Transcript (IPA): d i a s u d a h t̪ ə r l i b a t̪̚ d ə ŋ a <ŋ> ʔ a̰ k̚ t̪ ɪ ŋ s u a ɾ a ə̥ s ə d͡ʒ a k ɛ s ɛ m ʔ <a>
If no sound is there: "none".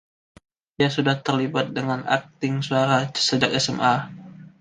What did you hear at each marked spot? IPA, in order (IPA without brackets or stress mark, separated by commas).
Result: n, a